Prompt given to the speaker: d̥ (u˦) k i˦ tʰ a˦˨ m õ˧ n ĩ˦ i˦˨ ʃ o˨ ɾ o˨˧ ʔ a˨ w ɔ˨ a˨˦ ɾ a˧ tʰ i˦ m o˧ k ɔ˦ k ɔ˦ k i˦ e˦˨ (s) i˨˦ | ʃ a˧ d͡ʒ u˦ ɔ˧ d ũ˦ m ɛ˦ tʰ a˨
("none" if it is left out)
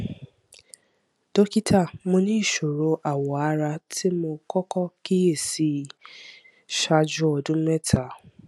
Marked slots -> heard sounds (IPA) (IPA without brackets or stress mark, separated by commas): o˦, s